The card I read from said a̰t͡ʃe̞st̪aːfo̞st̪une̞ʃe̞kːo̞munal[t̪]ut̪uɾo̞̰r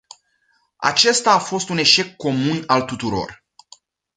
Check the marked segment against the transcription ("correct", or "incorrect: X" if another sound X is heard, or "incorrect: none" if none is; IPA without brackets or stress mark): correct